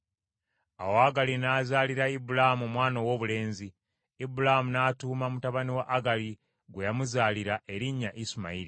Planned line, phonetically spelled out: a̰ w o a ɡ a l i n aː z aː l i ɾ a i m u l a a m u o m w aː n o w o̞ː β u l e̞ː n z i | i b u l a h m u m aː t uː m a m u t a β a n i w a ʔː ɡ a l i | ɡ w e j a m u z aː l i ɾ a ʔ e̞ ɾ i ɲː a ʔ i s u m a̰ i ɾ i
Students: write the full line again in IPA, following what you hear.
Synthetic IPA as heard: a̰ w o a ɡ a l i n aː z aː l i ɾ a i b u l a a m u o m w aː n o w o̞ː β u l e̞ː n z i | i b u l a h m u n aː t uː m a m u t a β a n i w a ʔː ɡ a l i | ɡ w e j a m u z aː l i ɾ a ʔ e̞ ɾ i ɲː a ʔ i s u m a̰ i ɾ i